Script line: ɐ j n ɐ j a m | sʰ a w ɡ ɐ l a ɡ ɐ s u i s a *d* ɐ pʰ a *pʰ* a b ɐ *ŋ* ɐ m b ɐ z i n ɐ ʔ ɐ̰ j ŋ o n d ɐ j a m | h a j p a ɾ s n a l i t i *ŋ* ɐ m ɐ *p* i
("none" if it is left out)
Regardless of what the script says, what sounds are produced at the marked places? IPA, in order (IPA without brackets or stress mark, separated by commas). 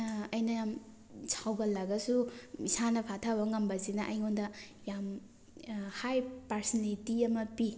n, tʰ, ŋ, none, p